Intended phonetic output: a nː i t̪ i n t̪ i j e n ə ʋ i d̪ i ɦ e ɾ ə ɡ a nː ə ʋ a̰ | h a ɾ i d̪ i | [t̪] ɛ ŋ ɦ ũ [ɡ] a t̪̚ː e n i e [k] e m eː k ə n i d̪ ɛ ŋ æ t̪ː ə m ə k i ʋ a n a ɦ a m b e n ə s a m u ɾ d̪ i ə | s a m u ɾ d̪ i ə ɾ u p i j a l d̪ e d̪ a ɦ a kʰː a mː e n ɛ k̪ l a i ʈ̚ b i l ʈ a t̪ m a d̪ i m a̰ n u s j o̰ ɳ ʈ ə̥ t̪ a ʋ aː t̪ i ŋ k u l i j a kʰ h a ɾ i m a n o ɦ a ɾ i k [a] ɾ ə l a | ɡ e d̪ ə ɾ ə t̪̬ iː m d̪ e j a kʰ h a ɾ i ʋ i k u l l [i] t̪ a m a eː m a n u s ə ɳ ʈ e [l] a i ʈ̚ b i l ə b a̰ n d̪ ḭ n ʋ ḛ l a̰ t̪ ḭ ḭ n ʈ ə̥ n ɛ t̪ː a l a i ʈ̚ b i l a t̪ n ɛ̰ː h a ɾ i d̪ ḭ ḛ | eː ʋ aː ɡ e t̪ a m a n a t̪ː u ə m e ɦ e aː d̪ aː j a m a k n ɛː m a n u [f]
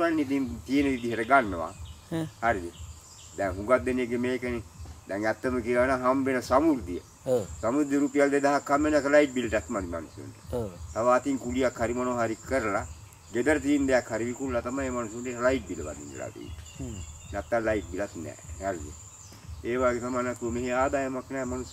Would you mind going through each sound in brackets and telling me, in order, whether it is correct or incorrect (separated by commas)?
incorrect, correct, incorrect, incorrect, incorrect, correct, incorrect